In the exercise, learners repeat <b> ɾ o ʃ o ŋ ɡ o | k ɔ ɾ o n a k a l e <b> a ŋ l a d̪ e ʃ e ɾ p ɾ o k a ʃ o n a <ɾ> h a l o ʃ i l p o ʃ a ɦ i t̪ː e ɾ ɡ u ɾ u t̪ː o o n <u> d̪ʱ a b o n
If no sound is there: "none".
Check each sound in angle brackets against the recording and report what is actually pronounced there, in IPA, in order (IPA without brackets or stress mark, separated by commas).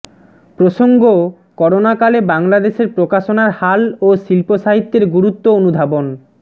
p, b, ɾ, u